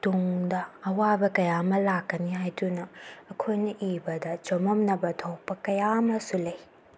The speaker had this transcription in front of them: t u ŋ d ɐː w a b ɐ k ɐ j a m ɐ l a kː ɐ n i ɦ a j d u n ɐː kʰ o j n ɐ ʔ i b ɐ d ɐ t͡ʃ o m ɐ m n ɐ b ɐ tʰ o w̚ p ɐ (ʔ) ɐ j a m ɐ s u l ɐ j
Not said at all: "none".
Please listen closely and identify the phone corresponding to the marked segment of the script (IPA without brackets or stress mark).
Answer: k